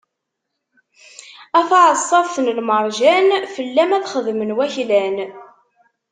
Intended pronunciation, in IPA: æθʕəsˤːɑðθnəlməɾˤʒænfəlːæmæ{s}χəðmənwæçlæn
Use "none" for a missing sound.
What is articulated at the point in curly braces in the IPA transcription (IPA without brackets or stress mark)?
θ